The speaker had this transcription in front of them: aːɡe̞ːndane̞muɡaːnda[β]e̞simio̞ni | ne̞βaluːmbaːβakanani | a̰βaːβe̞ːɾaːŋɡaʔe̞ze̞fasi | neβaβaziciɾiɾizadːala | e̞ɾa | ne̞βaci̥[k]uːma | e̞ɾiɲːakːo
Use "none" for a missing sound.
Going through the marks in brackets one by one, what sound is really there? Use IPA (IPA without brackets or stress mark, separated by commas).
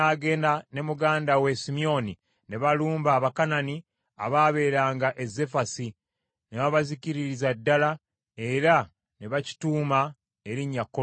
w, t